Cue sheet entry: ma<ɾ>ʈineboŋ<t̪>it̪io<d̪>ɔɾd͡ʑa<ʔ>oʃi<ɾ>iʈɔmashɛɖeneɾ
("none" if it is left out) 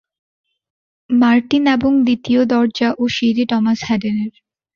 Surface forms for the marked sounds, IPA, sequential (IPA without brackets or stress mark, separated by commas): ɾ, d̪, d̪, ʔ, ɾ